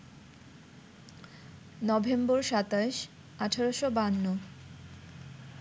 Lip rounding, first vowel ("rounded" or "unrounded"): rounded